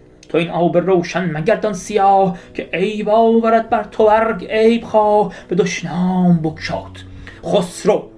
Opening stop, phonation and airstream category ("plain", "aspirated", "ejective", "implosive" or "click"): aspirated